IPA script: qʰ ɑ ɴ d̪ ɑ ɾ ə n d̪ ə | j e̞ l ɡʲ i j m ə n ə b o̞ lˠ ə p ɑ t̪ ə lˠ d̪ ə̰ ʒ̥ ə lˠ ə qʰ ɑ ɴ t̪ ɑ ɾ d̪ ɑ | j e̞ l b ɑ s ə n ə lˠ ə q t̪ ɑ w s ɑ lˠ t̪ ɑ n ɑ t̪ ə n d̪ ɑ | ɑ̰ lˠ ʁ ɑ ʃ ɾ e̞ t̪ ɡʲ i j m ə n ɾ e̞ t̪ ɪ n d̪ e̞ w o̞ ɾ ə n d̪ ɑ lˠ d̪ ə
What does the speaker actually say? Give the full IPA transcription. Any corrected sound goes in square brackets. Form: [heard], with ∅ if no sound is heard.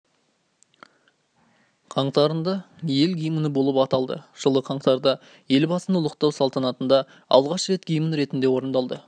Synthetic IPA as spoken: qʰ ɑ ɴ [t̪] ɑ ɾ ə n d̪ [ɑ] | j e̞ l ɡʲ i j m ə n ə b o̞ lˠ ə p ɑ t̪ [ɑ] lˠ d̪ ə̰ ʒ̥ ə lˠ ə qʰ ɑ ɴ t̪ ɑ ɾ d̪ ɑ | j e̞ l b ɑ s ə n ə lˠ ə q t̪ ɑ w s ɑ lˠ t̪ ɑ n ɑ t̪ ə n d̪ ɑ | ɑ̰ lˠ ʁ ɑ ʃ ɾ e̞ t̪ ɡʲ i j m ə n ɾ e̞ t̪ ɪ n d̪ e̞ w o̞ ɾ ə n d̪ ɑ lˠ d̪ ə